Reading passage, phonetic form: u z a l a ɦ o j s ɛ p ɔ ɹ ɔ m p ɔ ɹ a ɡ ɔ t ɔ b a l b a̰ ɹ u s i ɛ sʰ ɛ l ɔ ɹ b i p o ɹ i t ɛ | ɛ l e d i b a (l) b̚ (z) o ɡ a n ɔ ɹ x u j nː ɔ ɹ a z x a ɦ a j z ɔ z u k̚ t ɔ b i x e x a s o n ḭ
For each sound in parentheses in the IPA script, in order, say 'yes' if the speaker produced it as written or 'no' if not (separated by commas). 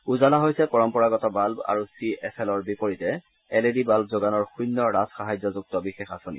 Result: yes, yes